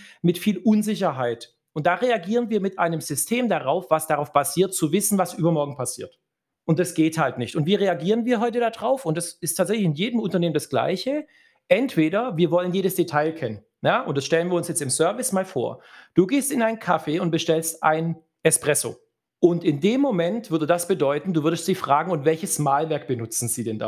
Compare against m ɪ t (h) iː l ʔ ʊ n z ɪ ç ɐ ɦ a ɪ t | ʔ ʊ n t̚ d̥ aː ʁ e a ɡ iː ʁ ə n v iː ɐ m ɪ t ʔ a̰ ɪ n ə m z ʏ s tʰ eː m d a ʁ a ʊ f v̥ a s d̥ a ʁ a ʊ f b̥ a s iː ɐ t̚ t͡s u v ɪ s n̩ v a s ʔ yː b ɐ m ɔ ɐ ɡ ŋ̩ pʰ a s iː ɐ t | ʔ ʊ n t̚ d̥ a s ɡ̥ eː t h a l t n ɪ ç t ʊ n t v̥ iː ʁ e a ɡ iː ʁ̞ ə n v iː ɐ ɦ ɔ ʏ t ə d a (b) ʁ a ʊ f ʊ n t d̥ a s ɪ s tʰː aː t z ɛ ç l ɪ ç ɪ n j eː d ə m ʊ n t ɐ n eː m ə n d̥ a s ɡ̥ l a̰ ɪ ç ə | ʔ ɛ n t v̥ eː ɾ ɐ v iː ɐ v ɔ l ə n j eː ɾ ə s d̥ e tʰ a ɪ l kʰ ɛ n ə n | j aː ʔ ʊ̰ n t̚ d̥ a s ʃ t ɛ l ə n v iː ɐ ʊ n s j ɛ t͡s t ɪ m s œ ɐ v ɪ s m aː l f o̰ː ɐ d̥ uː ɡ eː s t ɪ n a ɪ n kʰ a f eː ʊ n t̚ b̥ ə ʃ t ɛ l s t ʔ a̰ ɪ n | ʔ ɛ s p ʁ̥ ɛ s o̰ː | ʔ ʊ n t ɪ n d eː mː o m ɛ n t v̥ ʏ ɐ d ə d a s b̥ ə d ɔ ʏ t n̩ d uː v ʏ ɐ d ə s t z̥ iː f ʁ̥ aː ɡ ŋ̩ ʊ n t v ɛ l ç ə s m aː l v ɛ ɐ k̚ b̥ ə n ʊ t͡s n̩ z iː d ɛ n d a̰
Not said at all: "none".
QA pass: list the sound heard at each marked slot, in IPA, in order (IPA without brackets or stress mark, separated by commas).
f, d